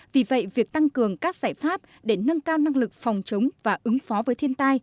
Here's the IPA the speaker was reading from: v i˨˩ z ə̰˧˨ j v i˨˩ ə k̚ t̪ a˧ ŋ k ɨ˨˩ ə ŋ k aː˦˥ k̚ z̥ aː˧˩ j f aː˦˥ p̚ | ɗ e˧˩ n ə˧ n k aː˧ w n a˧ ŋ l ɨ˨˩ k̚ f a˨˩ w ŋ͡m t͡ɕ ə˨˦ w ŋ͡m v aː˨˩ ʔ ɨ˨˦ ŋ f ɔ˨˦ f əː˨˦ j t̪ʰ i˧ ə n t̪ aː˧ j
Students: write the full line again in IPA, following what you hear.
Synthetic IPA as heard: v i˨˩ v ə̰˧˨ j v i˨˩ ə k̚ t̪ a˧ ŋ k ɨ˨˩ ə ŋ k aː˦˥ k̚ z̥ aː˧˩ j f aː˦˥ p̚ | ɗ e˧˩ n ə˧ n k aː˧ w n a˧ ŋ l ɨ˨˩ k̚ f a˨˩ w ŋ͡m t͡ɕ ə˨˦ w ŋ͡m v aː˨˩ ʔ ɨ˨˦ ŋ f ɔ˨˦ v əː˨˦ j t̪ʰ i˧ ə n t̪ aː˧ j